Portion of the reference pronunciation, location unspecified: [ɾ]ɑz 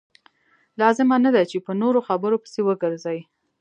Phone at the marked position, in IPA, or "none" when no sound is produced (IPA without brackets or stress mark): l